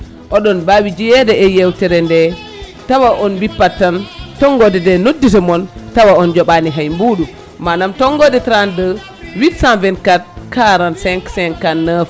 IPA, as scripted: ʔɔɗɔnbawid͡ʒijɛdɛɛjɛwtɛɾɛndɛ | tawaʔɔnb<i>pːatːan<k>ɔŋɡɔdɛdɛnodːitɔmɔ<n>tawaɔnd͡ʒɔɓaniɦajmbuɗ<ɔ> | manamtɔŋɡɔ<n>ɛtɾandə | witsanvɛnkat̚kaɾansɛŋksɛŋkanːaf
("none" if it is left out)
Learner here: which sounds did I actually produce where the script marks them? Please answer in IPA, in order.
i, t, n, u, d

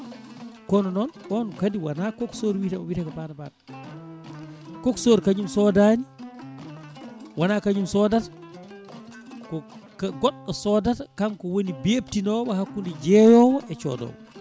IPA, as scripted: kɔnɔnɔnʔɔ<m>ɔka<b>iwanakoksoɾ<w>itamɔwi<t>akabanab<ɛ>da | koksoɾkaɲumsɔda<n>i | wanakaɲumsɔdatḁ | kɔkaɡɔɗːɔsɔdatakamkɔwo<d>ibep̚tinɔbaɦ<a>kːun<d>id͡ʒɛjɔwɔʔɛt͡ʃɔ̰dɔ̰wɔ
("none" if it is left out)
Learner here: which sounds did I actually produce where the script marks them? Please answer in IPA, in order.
n, d, w, t, a, n, n, a, d

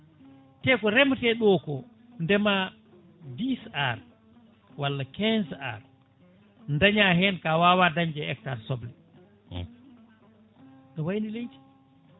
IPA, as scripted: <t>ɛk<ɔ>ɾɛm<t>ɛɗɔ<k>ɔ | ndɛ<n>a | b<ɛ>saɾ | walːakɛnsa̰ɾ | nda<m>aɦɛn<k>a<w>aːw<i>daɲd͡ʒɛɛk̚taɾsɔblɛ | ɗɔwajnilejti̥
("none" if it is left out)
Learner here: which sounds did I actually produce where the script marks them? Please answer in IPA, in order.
t, ɔ, t, k, m, i, ɲ, k, w, a

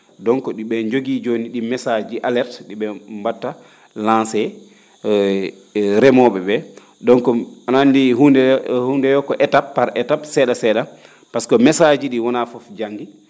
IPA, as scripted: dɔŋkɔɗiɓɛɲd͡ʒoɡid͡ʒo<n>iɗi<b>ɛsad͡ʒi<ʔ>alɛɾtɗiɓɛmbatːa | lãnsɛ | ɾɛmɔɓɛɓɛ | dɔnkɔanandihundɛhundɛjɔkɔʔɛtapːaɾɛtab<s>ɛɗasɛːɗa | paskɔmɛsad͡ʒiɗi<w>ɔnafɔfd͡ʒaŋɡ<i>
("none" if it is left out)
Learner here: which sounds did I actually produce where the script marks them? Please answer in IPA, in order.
n, m, ʔ, s, w, i

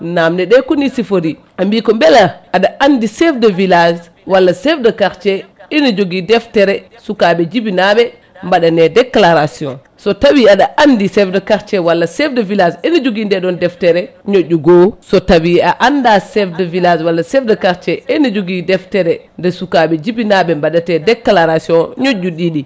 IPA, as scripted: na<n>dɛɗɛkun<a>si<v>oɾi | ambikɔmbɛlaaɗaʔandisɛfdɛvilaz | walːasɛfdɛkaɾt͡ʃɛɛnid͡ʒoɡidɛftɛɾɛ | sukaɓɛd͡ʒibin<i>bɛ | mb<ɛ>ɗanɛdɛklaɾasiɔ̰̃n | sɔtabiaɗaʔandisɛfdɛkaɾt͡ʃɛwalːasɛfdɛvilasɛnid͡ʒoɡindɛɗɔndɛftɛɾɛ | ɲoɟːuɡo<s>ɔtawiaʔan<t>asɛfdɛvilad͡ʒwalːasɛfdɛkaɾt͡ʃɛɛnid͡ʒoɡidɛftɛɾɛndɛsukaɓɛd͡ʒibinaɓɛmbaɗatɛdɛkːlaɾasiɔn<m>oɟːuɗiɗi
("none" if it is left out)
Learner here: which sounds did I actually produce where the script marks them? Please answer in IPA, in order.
m, i, f, a, a, s, d, ɲ

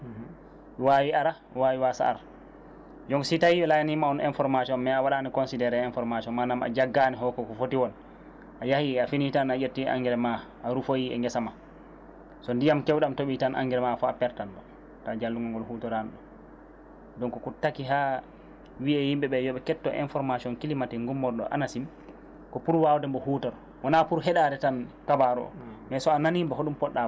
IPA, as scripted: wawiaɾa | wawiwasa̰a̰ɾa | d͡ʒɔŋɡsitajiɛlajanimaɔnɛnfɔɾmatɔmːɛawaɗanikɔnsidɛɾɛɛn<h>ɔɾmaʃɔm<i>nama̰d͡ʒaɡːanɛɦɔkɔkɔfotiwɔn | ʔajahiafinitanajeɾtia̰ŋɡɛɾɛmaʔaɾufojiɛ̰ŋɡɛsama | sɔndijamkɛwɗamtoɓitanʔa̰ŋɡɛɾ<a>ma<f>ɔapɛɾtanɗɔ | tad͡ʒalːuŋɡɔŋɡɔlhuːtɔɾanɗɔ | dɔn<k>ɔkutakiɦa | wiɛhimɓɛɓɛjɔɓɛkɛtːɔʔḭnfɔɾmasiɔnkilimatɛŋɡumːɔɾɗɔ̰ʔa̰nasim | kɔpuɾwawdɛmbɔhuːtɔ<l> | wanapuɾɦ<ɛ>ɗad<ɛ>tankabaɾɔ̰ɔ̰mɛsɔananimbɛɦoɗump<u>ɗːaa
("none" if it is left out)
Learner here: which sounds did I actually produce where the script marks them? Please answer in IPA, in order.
f, a, ɛ, f, k, ɾ, ɛ, ɛ, ɔ

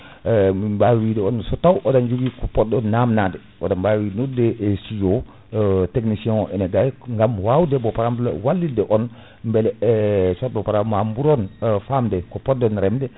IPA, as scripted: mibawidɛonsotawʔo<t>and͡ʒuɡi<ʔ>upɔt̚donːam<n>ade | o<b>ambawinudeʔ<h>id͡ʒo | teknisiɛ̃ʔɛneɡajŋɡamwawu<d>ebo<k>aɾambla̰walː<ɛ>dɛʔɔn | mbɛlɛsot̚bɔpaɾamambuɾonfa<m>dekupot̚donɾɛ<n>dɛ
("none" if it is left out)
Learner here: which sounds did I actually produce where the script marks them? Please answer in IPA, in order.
d, k, n, d, s, d, p, i, m, m

